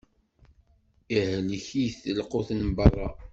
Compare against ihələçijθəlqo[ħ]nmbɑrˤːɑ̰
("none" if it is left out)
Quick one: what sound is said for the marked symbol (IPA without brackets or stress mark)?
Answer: θ